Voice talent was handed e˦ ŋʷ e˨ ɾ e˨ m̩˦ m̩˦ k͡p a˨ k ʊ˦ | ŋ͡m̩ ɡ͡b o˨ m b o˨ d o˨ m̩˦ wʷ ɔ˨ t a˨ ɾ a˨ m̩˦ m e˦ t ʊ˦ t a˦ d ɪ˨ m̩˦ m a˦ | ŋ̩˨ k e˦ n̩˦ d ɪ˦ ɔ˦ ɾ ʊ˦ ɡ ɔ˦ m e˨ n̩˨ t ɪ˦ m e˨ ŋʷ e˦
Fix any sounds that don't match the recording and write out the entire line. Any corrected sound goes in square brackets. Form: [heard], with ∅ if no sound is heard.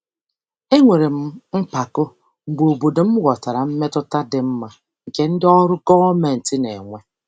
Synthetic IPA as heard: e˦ ŋʷ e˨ ɾ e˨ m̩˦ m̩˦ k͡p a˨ k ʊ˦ | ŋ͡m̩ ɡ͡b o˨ [∅] b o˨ d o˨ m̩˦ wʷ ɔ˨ t a˨ ɾ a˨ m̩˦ m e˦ t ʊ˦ t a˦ d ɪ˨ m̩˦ m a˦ | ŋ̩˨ k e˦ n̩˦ d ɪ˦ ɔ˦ ɾ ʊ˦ ɡ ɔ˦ m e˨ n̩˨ t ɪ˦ [n] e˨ ŋʷ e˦